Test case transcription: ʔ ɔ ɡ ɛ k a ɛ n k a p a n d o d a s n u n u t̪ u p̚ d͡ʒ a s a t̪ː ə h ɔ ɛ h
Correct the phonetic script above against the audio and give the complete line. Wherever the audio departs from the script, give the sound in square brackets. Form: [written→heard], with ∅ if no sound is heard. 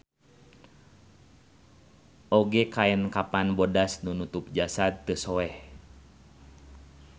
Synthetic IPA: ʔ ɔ ɡ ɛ k a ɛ n k a p a n [d→b] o d a s n u n u t̪ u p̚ d͡ʒ a s a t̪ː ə [h→s] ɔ ɛ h